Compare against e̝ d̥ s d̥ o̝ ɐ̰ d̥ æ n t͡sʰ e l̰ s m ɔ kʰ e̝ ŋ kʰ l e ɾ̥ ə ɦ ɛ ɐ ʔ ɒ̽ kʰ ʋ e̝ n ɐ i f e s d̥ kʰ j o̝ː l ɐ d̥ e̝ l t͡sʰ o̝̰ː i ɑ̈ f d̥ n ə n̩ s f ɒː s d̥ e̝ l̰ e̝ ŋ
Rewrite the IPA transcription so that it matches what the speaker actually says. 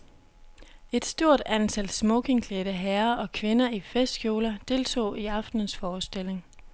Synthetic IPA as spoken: e̝ d̥ s d̥ o̝ ɐ̰ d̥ æ n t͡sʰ æ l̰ s m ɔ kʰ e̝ ŋ kʰ l e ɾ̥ ə ɦ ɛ ɐ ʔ ɒ̽ kʰ ʋ e̝ n ɐ i f e s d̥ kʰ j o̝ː l ɐ d̥ e̝ l t͡sʰ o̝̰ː i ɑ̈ f d̥ n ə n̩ s f ɒː s d̥ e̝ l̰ e̝ ŋ